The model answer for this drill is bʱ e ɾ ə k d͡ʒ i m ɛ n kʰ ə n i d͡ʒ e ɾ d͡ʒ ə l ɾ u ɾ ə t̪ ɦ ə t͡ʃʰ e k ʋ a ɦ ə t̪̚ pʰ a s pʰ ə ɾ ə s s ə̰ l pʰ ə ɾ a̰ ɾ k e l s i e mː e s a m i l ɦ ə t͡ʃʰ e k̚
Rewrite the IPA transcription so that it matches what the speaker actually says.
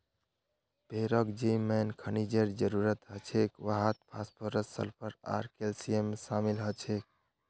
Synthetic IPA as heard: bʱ e ɾ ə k d͡ʒ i m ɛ n kʰ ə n i d͡ʒ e ɾ d͡ʒ ə ɾ u ɾ ə t̪ ɦ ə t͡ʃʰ e k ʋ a ɦ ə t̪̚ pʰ a s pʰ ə ɾ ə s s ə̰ l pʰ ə ɾ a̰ ɾ k e l s i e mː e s a m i l ɦ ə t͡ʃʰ e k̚